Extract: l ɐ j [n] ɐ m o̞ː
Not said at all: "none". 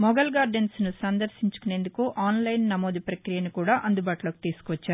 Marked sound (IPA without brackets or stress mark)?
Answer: nː